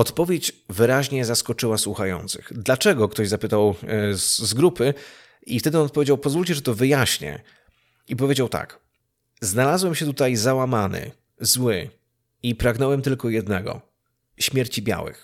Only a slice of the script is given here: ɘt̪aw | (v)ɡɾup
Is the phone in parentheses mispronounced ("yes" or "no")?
yes